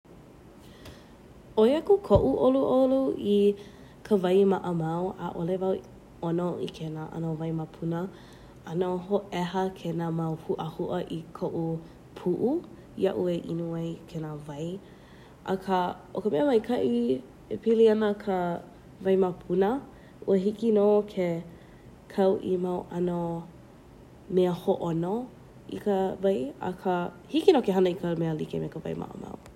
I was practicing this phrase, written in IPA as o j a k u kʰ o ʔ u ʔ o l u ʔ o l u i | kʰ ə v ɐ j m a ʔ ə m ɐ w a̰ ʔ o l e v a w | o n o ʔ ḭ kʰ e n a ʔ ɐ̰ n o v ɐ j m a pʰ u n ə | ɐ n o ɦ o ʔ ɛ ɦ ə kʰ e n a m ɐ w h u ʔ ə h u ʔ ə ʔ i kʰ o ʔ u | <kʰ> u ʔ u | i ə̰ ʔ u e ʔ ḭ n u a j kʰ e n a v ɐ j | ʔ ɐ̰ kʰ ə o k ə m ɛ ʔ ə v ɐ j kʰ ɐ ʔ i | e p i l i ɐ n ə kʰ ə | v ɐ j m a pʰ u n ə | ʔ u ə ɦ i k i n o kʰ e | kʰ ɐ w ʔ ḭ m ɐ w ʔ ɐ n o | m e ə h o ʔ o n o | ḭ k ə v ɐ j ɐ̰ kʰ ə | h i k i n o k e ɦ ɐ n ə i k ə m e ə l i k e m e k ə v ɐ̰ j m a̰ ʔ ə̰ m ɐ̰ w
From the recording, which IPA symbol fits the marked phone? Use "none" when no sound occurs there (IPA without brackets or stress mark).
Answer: pʰ